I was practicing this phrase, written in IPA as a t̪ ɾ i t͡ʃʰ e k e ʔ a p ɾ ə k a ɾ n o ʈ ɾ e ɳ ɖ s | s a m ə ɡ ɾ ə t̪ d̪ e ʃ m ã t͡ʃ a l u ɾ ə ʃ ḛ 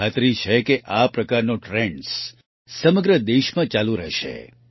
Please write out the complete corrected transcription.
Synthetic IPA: a t̪ ɾ i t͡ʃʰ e k e ʔ a p ɾ ə k a ɾ n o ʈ ɾ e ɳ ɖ s | s ə m ə ɡ ɾ ə d̪ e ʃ m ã t͡ʃ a l u ɾ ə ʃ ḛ

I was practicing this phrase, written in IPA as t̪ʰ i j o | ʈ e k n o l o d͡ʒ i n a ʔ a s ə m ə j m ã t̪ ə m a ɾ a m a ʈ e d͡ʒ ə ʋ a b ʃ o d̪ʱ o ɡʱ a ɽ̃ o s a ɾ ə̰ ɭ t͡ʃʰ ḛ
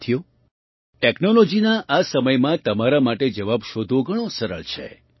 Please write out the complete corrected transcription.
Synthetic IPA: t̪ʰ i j o | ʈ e k n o l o d͡ʒ i n a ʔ a s ə m ə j m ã t̪ ə m a ɾ a m a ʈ e d͡ʒ ə ʋ a b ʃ o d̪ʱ o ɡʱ ə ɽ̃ o s ə ɾ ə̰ ɭ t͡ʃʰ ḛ

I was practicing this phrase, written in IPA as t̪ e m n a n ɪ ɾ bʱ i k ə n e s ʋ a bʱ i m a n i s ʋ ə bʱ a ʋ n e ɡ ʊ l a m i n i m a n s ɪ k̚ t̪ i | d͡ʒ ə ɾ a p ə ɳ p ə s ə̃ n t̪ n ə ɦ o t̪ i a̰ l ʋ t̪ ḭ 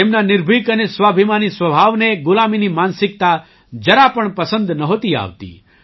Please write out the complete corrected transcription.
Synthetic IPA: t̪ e m n a n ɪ ɾ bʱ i k ə n e s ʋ a bʱ i m a n i s ʋ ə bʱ a ʋ n e ɡ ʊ l a m i n i m a n s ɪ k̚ t̪ a | d͡ʒ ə ɾ a p ə ɳ p ə s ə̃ n d̪ n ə ɦ o t̪ i a̰ ʋ t̪ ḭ

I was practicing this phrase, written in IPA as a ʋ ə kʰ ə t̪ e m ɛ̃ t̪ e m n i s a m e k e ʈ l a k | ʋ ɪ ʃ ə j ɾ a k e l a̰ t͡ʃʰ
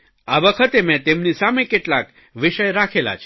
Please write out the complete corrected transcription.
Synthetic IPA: a ʋ ə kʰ ə t̪ e m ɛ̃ t̪ e m n i s a m e k e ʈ l a k | ʋ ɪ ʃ ə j ɾ a kʰ e l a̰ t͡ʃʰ

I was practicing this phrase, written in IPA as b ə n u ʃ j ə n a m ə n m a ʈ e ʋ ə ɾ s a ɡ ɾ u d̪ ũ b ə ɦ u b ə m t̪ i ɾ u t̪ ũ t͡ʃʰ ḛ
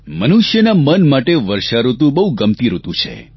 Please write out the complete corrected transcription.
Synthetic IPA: m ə n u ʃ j ə n a m ə n m a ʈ e ʋ ə ɾ ʃ a ɾ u t̪ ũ b ə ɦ u ɡ ə m t̪ i ɾ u t̪ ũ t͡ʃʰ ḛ

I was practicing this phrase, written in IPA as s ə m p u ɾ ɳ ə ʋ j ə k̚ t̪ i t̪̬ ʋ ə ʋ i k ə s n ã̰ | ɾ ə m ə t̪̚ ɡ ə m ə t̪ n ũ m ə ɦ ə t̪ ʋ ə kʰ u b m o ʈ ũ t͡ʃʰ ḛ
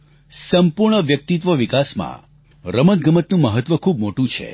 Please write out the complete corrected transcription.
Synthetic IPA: s ə m p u ɾ ɳ ə ʋ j ə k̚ t̪ i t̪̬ ʋ ə ʋ i k a s m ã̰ | ɾ ə m ə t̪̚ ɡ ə m ə t̪ n ũ m ə ɦ ə t̪ ʋ ə kʰ u b m o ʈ ũ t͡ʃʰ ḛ

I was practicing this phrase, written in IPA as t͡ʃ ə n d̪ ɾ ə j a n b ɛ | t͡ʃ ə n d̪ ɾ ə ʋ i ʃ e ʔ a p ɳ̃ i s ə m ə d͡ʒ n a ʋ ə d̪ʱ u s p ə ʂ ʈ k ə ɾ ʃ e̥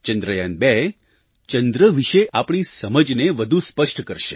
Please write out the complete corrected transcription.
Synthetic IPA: t͡ʃ ə n d̪ ɾ ə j a n b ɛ | t͡ʃ ə n d̪ ɾ ə ʋ i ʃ e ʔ a p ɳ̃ i s ə m ə d͡ʒ n e ʋ ə d̪ʱ u s p ə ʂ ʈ k ə ɾ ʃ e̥

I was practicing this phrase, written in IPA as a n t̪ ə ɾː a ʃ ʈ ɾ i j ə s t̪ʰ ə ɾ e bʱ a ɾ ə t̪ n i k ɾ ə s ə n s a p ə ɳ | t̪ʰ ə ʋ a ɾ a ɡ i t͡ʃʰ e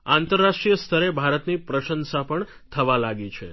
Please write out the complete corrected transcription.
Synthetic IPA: a n t̪ ə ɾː a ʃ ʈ ɾ i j ə s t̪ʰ ə ɾ e bʱ a ɾ ə t̪ n i p ɾ ə ʃ ə n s a p ə ɳ | t̪ʰ ə ʋ a l a ɡ i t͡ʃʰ e

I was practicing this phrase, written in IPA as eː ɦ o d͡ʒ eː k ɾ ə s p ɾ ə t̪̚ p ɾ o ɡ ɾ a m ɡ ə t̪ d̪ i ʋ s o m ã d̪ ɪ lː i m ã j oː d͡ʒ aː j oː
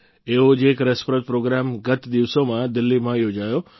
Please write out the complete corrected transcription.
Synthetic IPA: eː ɦ o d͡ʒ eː k ɾ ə s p ɾ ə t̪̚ p ɾ o ɡ ɾ a m ɡ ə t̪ d̪ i ʋ s o m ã d̪ ɪ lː i m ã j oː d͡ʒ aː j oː

